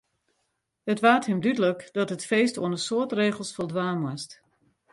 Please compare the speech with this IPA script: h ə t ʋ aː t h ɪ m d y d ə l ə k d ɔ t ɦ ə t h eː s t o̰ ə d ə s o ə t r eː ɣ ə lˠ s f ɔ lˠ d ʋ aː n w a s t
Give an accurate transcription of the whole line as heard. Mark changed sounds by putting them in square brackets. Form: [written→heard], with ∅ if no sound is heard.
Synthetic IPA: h ə t ʋ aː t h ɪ m d y d ə l ə k d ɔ t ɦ ə t [h→f] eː s t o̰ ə [d→n] ə s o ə t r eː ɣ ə lˠ s f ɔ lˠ d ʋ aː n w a s t